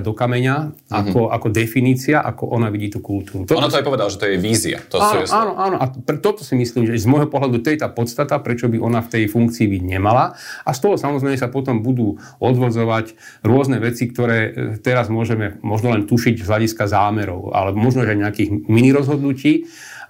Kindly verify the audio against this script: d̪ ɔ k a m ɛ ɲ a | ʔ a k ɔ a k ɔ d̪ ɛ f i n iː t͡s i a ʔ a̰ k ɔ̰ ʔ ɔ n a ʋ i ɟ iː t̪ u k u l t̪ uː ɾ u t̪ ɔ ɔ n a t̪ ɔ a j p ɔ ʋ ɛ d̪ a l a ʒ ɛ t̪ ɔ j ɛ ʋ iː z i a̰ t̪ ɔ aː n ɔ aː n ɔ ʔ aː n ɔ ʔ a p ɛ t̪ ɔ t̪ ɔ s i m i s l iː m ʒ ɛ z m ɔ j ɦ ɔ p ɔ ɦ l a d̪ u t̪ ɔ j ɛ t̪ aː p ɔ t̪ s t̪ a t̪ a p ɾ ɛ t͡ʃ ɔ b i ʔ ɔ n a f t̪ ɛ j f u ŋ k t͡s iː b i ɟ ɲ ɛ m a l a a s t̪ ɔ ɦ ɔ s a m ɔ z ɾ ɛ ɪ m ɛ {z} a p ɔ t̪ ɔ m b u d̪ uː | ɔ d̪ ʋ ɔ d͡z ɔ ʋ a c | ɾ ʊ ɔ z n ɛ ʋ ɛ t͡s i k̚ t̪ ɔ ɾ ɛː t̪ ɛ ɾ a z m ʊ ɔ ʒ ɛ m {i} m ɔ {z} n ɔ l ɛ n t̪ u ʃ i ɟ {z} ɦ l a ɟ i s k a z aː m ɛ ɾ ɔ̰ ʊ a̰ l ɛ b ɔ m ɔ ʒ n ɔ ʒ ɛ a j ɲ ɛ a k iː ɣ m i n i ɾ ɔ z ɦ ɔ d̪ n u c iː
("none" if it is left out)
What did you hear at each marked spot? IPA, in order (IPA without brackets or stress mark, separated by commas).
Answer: s, ɛ, ʒ, z